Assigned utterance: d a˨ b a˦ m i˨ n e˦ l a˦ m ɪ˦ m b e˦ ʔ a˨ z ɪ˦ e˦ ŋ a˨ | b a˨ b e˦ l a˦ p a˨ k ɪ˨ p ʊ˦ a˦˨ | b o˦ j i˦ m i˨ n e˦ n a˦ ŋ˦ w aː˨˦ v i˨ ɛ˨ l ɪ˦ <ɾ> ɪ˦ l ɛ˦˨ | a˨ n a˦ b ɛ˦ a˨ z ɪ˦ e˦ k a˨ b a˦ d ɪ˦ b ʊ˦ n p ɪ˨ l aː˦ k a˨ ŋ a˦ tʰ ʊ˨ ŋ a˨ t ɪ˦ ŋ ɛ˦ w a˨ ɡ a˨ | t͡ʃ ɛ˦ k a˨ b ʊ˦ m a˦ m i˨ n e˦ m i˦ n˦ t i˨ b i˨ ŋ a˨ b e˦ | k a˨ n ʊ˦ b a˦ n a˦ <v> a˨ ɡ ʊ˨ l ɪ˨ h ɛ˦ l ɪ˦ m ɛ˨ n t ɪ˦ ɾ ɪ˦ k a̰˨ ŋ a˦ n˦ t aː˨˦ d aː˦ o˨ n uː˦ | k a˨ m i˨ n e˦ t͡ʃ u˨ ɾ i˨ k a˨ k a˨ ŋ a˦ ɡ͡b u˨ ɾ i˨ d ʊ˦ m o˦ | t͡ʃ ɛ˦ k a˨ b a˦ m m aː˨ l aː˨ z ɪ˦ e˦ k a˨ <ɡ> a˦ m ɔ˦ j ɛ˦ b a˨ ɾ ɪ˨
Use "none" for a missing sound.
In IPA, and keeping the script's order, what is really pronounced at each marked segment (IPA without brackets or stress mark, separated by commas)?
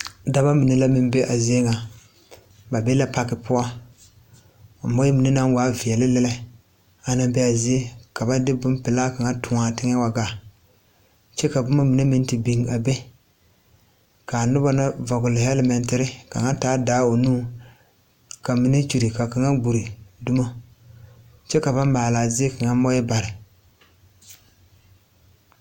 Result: l, v, ŋ